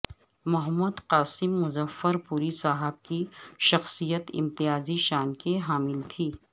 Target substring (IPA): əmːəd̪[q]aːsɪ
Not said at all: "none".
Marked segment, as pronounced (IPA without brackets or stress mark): q